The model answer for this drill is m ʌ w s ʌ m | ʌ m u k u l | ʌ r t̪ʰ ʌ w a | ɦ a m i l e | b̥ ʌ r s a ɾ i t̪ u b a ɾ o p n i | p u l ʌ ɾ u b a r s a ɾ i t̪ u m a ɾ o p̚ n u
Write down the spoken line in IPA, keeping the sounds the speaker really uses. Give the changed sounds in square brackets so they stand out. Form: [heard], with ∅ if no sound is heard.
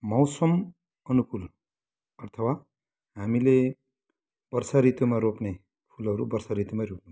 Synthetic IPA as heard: m ʌ w s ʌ m | ʌ [n] u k u l | ʌ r t̪ʰ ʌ w a | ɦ a m i l e | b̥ ʌ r s a ɾ i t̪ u [m] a ɾ o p n [e] | [pʰ] u l ʌ ɾ u b [ʌ] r s a ɾ i t̪ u m a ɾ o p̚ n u